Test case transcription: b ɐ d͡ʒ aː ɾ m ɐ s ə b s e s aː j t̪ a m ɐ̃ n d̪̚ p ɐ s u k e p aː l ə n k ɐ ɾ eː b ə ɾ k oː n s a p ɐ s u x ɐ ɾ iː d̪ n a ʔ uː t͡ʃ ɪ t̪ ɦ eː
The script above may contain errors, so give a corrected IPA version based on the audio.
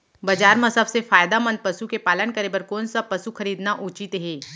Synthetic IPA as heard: b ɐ d͡ʒ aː ɾ m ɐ s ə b s e f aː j d̪ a m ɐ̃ n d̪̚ p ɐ s u k e p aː l ə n k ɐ ɾ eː b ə ɾ k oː n s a p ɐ s u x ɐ ɾ iː d̪ n a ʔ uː t͡ʃ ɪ t̪ ɦ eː